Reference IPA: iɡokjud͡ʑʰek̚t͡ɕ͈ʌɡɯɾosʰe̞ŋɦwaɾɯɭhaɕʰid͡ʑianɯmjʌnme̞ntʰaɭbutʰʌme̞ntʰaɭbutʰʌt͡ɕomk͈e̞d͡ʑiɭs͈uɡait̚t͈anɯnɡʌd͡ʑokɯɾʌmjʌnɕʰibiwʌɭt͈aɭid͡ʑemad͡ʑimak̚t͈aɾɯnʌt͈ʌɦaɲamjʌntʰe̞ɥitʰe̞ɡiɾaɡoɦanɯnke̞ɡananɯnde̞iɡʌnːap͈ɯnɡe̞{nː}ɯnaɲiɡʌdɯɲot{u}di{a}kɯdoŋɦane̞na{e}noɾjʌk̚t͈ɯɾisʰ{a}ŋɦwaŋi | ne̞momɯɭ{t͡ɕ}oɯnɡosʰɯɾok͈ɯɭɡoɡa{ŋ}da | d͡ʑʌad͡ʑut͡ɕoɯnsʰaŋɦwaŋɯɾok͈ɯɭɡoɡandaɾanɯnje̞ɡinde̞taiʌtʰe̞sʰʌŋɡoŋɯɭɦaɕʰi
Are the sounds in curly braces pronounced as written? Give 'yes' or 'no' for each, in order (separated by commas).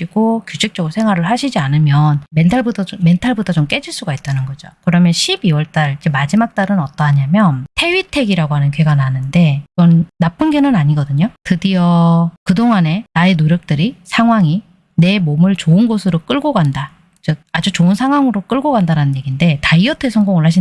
no, no, no, yes, yes, yes, no